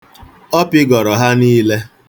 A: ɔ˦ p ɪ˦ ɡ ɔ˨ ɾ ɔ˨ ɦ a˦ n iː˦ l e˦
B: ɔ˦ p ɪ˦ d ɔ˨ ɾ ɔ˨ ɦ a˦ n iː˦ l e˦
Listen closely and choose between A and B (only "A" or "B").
A